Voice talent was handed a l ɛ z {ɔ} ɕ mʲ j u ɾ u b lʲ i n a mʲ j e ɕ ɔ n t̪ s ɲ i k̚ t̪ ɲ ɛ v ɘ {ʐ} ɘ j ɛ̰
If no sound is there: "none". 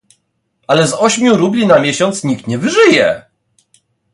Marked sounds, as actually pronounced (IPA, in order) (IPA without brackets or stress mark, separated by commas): ɔ, ʐ